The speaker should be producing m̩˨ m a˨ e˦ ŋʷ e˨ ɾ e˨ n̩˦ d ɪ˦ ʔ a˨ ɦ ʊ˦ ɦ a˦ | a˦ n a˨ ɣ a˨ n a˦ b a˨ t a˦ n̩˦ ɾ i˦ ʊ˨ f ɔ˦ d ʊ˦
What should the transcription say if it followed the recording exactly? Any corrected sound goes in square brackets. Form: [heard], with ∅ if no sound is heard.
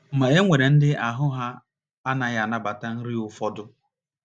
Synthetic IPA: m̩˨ m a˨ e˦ ŋʷ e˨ ɾ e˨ n̩˦ d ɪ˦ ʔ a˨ ɦ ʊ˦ ɦ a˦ | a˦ n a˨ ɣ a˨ n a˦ b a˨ t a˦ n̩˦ ɾ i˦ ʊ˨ f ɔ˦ d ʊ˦